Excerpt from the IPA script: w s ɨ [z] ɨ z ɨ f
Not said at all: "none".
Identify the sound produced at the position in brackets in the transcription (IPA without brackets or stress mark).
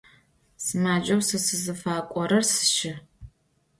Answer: s